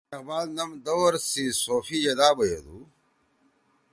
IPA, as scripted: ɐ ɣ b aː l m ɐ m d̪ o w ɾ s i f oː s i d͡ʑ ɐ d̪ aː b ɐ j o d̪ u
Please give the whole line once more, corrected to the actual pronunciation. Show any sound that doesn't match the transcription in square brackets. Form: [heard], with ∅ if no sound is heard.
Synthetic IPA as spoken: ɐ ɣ b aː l [n] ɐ m d̪ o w ɾ s i [s] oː [f] i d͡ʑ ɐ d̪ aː b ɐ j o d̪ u